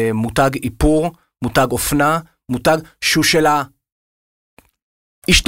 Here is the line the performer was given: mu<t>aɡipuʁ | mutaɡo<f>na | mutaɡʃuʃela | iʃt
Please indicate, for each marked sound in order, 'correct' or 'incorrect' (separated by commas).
correct, correct